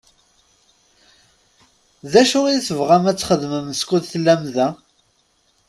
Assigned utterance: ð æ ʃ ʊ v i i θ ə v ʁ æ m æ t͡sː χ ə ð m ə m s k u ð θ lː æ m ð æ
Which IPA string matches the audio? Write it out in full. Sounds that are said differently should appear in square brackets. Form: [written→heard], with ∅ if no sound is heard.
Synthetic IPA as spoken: ð æ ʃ ʊ [v→ʁ] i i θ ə v ʁ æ m æ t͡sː χ ə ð m ə m s k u ð θ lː æ m ð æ